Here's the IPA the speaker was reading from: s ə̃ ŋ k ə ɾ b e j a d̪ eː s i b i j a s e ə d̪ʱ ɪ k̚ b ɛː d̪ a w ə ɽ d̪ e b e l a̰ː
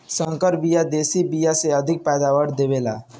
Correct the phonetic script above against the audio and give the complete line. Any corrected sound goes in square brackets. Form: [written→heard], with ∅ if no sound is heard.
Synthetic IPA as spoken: s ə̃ ŋ k ə ɾ b [e→i] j a d̪ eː s i b i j a s e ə d̪ʱ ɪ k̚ [b→p] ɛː d̪ a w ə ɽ d̪ e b e l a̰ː